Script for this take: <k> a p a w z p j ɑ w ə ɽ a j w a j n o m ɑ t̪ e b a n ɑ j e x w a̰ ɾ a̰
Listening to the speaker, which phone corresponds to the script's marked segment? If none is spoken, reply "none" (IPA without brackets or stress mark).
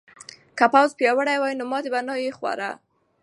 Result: k